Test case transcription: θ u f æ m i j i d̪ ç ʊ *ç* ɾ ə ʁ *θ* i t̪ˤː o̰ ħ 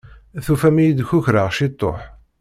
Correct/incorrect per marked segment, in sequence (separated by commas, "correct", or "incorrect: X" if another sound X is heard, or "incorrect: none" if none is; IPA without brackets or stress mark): correct, incorrect: ʃ